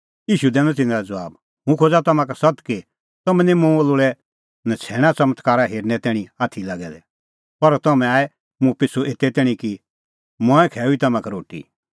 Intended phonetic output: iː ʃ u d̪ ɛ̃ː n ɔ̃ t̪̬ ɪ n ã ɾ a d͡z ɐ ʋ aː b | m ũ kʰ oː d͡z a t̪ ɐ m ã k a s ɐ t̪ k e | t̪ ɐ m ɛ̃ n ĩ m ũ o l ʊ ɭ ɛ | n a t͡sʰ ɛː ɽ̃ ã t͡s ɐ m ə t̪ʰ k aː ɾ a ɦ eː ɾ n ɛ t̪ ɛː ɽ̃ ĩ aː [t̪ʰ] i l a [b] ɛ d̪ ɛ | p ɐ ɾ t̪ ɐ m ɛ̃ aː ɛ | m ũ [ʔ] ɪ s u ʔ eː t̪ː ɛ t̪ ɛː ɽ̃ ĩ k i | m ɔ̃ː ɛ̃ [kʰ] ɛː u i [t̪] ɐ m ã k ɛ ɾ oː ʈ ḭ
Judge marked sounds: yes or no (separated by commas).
yes, no, no, yes, yes